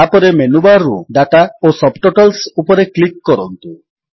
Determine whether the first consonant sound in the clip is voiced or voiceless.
voiceless